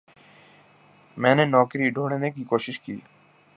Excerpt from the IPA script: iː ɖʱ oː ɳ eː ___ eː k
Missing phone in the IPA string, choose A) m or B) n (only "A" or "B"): B